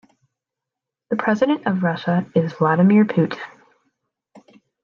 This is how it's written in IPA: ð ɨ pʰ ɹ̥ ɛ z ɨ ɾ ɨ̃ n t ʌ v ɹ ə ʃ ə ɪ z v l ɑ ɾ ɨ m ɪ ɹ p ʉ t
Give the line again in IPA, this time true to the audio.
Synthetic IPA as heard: ð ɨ pʰ ɹ̥ ɛ z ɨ ɾ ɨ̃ n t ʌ v ɹ ʌ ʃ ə ɪ z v l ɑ ɾ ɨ m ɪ ɹ pʰ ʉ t